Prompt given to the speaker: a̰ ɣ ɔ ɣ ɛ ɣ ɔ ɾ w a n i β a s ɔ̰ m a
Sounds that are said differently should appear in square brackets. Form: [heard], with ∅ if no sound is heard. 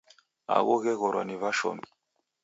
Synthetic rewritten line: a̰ ɣ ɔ ɣ ɛ ɣ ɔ ɾ w a n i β a [ʃ] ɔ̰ m [i]